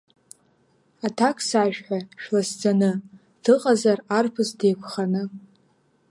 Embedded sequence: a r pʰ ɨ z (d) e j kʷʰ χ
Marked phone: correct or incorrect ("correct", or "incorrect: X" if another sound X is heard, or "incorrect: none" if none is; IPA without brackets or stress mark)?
correct